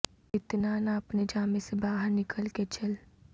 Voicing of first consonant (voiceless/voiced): voiceless